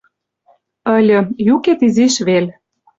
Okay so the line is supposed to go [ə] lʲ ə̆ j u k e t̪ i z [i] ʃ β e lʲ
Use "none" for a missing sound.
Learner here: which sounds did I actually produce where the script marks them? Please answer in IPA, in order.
ə, i

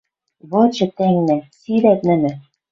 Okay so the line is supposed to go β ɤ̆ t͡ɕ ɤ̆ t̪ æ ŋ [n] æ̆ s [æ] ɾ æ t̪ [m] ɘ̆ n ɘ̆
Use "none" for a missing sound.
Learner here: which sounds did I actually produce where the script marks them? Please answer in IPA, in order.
n, i, n

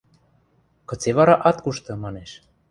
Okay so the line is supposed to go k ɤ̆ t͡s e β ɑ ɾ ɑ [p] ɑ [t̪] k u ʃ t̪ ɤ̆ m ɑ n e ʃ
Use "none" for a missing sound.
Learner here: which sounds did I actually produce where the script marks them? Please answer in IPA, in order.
ʔ, t̪

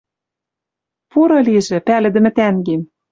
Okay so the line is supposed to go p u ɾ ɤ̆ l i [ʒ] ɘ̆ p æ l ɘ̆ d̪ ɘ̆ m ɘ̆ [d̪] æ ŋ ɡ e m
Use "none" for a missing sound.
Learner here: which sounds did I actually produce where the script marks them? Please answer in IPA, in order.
ʒ, t̪

